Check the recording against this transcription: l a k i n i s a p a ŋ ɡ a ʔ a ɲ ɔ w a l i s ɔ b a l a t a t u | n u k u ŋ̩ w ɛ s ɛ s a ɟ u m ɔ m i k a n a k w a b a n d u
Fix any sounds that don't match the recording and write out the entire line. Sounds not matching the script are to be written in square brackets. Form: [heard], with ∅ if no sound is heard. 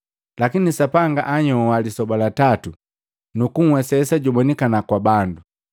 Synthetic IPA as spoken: l a k i n i s a p a ŋ ɡ a ʔ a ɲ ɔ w a l i s ɔ b a l a t a t u | n u k u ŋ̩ w ɛ s ɛ s a ɟ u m ɔ [n] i k a n a k w a b a n d u